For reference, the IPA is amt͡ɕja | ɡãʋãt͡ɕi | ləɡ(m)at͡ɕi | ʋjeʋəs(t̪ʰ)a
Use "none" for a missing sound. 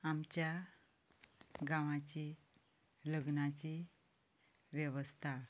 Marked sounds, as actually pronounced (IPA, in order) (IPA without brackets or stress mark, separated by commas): n, t̪ʰ